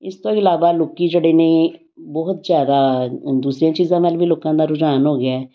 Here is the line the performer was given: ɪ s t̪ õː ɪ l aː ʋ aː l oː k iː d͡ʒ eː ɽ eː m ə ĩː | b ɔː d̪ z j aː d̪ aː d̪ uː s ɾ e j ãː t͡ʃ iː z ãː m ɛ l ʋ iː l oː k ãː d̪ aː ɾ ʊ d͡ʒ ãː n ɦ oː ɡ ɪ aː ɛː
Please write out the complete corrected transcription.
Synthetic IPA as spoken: ɪ s t̪ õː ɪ l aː ʋ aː l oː k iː d͡ʒ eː ɽ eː n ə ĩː | b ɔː t̪ z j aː d̪ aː d̪ uː s ɾ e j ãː t͡ʃ iː z ãː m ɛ l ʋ iː l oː k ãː d̪ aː ɾ ʊ d͡ʒ aː n ɦ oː ɡ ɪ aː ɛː